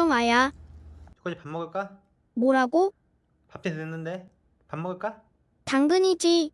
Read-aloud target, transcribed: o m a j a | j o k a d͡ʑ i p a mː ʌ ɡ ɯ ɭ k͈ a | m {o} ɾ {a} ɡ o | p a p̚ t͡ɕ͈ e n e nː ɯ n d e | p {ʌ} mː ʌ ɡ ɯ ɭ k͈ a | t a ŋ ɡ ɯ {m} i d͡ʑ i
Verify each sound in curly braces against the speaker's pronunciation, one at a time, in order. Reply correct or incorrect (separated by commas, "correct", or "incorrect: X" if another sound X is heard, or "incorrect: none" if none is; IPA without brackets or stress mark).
correct, correct, incorrect: a, incorrect: ɲ